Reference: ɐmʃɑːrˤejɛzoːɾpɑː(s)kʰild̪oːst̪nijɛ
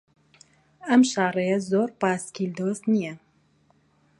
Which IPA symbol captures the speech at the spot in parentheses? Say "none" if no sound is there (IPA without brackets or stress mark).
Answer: s